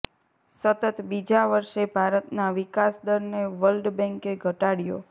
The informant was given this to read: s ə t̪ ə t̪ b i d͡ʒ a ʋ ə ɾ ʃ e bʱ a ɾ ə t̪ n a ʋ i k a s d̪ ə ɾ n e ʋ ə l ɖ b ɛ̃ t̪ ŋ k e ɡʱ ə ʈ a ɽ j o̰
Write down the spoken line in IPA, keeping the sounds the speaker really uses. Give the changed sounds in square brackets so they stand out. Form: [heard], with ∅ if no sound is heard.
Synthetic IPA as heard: s ə t̪ ə t̪ b i d͡ʒ a ʋ ə ɾ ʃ e bʱ a ɾ ə t̪ n a ʋ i k a s d̪ ə ɾ n e ʋ ə l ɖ b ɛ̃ [∅] ŋ k e ɡʱ ə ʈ a ɽ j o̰